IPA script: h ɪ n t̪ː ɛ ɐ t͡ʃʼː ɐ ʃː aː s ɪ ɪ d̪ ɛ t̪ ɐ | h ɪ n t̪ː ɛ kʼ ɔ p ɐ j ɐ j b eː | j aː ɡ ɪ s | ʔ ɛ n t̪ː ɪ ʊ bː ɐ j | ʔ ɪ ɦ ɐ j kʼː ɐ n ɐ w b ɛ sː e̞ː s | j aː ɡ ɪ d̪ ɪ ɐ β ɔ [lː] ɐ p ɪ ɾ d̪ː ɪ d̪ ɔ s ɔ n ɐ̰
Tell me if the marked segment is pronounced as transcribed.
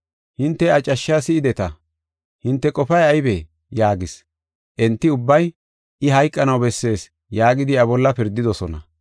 yes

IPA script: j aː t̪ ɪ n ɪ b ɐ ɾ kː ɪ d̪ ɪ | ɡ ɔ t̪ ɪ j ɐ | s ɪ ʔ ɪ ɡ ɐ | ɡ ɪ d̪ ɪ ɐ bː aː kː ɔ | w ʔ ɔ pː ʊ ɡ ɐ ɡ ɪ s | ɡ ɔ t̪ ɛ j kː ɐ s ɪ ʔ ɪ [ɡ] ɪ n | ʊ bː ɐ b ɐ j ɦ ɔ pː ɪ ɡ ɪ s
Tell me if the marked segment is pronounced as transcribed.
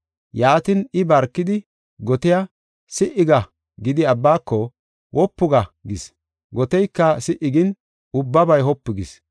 yes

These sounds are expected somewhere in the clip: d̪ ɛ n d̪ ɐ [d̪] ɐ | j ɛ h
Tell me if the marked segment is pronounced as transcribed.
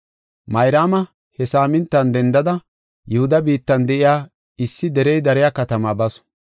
yes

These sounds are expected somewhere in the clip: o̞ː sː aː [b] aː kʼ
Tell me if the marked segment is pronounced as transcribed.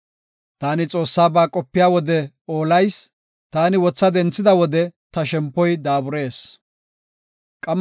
yes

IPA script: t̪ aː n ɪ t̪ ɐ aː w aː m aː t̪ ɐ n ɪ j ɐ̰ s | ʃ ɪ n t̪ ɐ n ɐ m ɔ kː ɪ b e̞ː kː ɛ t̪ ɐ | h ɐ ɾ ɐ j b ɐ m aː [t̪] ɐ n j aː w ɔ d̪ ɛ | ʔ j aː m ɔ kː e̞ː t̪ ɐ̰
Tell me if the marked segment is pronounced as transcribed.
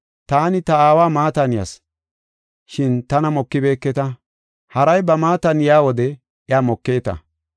yes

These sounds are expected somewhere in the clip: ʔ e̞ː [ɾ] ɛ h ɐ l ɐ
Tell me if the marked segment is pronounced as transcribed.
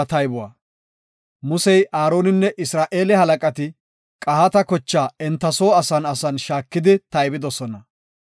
no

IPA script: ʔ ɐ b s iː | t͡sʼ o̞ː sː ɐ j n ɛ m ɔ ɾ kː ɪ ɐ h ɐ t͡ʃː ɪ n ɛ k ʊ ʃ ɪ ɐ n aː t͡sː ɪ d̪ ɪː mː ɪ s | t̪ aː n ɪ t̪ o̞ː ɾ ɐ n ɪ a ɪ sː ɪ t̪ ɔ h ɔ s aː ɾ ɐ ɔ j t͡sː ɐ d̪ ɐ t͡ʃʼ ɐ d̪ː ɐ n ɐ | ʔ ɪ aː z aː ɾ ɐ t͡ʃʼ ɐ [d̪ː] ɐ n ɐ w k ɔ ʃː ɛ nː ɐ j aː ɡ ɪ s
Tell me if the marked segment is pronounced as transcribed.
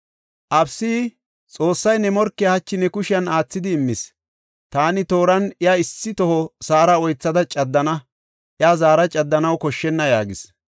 yes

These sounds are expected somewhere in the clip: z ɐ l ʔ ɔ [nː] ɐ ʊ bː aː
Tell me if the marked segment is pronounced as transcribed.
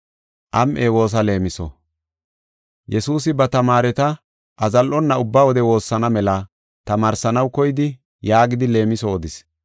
yes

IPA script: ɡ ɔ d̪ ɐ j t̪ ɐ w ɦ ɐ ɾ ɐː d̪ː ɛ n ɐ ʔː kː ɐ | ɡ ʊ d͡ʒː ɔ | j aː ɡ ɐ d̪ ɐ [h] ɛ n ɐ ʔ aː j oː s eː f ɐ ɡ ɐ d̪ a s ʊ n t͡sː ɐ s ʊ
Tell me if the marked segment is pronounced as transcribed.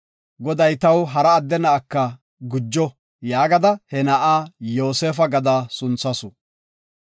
yes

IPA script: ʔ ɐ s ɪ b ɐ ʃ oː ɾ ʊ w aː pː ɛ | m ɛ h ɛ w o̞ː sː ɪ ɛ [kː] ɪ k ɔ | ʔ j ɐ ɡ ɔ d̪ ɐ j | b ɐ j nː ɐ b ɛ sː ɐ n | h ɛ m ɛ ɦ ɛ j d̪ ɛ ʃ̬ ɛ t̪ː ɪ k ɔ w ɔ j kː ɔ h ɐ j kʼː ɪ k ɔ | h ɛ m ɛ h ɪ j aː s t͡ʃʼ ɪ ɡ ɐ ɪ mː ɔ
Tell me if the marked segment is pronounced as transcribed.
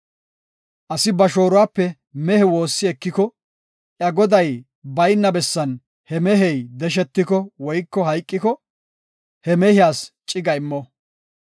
yes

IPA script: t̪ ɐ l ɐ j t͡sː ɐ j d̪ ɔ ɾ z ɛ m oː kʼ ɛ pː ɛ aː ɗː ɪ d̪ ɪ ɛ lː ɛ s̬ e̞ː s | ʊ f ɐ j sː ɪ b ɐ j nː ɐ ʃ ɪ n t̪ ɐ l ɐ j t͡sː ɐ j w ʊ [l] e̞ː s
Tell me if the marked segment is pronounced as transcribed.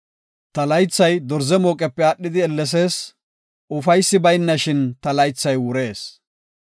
no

